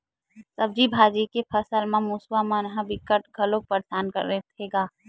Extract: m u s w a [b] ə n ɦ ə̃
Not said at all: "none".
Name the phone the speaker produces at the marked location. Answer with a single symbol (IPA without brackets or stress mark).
m